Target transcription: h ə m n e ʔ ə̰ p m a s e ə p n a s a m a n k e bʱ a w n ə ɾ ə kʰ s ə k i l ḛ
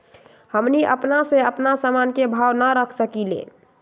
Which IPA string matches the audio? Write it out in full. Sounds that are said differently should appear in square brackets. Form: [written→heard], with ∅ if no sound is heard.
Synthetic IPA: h ə m n [e→i] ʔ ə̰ p [m→n] a s e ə p n a s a m a n k e bʱ a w n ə ɾ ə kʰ s ə k i l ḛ